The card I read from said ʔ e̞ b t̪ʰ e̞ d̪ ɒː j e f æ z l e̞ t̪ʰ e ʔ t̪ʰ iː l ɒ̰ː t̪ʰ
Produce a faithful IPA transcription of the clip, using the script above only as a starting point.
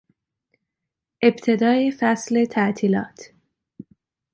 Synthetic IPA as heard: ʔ e̞ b t̪ʰ e̞ d̪ ɒː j e f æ s l e̞ t̪ʰ æ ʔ t̪ʰ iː l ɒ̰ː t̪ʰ

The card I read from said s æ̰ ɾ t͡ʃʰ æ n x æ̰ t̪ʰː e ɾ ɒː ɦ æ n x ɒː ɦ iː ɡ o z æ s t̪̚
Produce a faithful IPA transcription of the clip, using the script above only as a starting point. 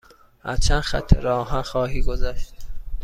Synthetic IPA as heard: h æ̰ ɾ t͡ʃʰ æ n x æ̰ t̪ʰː e ɾ ɒː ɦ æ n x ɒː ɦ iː ɡ o z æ ʃ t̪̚

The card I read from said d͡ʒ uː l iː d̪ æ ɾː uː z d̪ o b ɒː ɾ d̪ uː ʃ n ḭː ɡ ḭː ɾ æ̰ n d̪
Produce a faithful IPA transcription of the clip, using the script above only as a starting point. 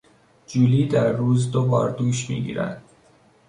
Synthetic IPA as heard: d͡ʒ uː l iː d̪ æ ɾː uː z d̪ o b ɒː ɾ d̪ uː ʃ m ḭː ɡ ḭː ɾ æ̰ n d̪

